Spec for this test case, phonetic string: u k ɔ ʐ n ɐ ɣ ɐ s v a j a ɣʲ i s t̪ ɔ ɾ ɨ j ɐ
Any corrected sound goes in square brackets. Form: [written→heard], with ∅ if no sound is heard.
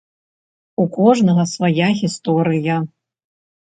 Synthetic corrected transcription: u k ɔ ʐ n ɐ ɣ ɐ s v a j a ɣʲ i s t̪ ɔ ɾ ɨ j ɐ